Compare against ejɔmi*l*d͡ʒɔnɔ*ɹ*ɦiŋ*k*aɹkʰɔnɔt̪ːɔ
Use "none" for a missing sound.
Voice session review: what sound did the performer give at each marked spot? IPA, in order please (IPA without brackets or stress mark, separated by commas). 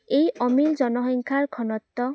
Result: l, none, kʰ